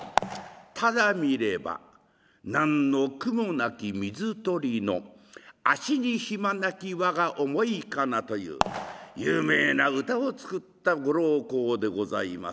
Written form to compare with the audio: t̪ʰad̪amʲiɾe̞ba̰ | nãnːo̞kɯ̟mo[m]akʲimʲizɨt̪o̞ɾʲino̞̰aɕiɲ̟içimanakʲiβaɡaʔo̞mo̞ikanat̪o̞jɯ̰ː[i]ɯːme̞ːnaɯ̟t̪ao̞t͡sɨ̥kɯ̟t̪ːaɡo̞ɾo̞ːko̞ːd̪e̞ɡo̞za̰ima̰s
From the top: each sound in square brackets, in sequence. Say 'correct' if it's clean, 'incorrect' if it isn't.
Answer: incorrect, incorrect

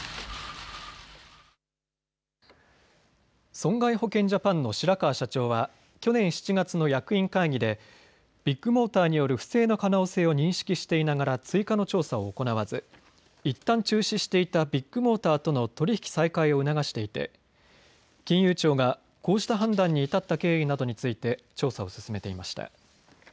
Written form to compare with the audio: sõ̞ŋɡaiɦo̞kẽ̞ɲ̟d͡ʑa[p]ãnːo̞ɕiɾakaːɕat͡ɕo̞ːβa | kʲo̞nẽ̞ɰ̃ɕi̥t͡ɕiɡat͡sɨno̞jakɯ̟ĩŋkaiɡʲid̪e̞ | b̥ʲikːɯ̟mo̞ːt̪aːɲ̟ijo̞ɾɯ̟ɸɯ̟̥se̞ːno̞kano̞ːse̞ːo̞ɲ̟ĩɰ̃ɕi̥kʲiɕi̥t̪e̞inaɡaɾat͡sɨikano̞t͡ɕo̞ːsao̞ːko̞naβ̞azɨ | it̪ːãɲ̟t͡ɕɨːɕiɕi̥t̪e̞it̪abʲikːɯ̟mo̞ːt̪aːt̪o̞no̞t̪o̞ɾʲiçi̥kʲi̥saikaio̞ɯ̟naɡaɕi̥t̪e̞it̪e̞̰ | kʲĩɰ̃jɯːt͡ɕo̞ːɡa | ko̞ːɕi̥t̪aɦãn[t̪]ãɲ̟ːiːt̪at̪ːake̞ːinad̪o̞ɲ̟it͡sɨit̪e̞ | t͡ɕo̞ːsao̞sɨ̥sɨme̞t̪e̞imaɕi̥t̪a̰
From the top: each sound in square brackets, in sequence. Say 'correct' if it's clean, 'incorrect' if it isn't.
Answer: correct, incorrect

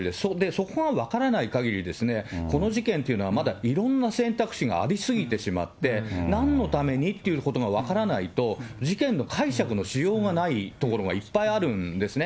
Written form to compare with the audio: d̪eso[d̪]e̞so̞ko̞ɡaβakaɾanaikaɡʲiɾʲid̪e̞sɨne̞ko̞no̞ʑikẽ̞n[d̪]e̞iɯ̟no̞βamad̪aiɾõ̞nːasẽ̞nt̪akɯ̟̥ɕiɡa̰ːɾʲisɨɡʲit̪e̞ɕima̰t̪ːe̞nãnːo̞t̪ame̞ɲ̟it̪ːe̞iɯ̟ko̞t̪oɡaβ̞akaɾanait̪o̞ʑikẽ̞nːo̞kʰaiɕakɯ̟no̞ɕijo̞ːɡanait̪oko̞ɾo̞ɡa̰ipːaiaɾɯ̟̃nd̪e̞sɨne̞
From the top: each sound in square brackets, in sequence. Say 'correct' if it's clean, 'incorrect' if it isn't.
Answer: correct, incorrect

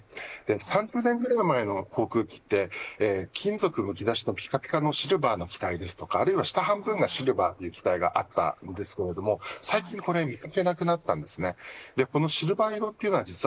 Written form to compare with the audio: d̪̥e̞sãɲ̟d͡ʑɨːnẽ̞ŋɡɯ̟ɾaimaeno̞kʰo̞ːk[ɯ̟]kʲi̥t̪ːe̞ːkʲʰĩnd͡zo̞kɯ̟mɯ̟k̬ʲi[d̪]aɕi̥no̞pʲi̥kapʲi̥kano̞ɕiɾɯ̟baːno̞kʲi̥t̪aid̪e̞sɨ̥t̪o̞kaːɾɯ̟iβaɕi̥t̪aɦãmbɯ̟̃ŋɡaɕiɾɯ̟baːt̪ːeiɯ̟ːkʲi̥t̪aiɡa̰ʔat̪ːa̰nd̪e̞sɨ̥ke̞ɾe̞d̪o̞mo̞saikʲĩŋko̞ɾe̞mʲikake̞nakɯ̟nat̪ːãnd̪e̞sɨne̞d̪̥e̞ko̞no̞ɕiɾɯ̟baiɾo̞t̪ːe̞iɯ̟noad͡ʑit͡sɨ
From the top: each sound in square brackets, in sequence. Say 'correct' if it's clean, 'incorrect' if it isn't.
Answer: incorrect, correct

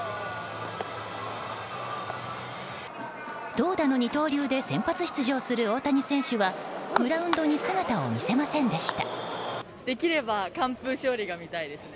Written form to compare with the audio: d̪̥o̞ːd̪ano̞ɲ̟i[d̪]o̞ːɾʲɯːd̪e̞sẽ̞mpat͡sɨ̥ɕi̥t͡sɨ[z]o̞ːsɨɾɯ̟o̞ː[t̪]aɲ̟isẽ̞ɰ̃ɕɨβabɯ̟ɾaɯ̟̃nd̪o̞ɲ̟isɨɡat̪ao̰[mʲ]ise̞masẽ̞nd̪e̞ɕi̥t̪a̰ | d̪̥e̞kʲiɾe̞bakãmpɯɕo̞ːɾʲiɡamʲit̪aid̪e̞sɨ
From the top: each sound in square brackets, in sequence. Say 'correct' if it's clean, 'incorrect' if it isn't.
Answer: incorrect, incorrect, correct, correct

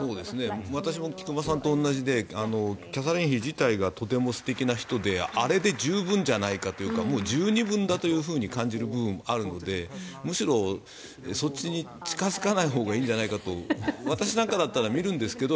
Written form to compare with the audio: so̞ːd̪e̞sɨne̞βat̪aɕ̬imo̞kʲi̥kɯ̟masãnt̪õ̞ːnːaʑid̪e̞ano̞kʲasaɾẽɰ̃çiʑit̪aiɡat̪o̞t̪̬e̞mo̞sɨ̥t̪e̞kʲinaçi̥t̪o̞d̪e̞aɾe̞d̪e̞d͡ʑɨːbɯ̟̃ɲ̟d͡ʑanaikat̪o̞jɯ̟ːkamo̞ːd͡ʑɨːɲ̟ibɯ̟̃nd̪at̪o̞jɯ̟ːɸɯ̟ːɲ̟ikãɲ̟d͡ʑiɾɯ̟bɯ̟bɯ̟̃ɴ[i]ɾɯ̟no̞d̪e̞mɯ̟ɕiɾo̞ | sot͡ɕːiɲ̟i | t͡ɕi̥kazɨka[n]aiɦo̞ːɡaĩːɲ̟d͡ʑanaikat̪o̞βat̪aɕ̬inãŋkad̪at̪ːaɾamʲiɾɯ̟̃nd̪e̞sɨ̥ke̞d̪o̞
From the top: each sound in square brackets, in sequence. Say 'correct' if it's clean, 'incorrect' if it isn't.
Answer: incorrect, correct

